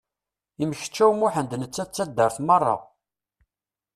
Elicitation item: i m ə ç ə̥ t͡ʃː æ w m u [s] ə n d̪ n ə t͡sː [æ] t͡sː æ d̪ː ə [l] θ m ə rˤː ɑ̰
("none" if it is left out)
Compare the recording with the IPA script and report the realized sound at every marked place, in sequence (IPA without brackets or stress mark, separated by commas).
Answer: ħ, æ, ɾ